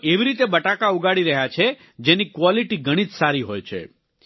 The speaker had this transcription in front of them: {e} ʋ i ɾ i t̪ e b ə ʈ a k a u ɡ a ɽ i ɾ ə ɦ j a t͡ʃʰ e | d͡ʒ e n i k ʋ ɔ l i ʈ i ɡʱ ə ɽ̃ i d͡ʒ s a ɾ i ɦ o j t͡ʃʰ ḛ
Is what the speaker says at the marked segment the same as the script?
yes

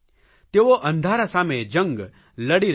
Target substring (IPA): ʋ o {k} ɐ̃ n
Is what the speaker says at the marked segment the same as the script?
no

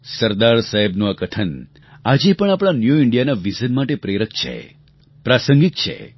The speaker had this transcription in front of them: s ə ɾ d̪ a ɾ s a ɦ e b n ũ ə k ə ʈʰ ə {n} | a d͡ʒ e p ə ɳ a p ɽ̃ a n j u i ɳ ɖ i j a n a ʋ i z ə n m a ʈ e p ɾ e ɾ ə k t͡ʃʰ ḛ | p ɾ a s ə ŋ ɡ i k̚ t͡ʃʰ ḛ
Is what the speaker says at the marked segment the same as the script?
yes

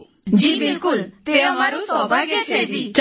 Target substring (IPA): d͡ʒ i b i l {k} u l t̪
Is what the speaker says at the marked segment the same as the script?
yes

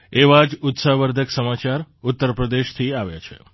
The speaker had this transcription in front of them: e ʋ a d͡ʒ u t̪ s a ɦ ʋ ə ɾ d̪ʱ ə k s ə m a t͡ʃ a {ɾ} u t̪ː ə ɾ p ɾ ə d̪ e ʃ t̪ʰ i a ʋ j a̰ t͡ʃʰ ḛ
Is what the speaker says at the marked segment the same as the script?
yes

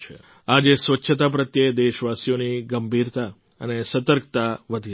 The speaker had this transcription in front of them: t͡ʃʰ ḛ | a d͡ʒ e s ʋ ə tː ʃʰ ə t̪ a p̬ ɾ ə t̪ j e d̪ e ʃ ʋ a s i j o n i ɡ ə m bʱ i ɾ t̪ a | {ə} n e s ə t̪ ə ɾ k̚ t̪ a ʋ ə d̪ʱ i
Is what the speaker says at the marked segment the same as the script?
yes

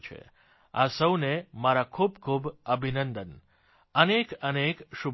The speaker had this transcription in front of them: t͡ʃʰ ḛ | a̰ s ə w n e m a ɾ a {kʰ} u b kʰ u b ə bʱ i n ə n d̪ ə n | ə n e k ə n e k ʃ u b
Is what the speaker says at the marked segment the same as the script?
yes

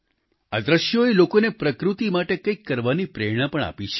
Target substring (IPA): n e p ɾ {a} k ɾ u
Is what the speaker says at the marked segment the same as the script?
no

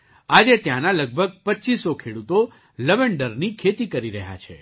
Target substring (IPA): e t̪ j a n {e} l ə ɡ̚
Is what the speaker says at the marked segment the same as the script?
no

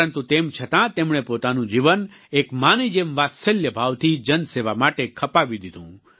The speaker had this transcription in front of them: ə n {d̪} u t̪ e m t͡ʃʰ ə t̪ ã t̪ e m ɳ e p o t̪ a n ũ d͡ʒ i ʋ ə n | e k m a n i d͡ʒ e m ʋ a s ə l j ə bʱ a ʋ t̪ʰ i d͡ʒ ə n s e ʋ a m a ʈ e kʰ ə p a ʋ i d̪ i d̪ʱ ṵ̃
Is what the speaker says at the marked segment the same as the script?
no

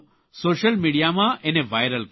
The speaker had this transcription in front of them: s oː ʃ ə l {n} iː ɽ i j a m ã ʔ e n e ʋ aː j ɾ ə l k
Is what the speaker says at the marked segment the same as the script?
no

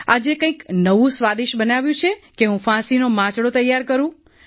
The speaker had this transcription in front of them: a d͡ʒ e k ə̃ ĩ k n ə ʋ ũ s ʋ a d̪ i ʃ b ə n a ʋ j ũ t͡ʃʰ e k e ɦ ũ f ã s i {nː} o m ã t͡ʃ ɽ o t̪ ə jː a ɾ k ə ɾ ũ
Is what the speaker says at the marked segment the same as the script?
no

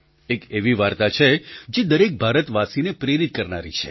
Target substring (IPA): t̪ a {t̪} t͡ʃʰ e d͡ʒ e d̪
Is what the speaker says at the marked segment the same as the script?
no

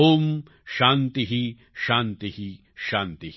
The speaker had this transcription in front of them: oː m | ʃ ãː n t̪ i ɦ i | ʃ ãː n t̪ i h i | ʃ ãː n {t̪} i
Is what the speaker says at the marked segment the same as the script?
yes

